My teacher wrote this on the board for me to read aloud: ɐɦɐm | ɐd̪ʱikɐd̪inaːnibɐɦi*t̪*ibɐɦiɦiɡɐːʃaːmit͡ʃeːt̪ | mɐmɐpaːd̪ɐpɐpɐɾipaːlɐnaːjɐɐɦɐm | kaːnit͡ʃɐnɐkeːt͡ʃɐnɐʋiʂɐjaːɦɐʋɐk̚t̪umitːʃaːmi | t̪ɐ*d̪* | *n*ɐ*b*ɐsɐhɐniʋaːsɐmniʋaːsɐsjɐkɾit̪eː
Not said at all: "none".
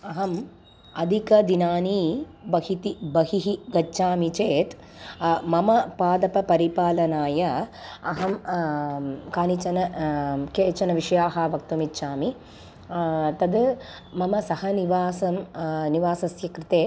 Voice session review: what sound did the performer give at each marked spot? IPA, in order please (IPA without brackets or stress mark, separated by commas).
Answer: t̪, d̪, m, m